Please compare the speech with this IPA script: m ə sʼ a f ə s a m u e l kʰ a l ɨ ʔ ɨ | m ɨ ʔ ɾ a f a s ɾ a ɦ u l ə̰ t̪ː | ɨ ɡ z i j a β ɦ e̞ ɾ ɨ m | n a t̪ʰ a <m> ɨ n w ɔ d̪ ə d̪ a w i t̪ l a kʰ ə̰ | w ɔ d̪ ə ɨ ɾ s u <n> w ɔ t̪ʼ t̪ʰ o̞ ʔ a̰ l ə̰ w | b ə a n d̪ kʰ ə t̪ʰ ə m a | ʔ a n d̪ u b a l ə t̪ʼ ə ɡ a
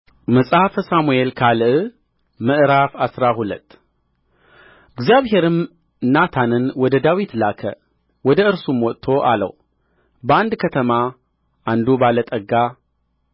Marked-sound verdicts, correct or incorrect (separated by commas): incorrect, incorrect